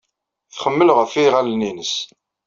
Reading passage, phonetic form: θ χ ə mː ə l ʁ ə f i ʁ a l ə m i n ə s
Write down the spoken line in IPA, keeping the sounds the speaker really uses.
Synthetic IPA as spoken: θ χ ə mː ə l ʁ ə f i ʁ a l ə n i n ə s